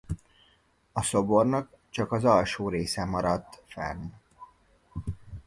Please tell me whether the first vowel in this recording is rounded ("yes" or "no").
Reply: yes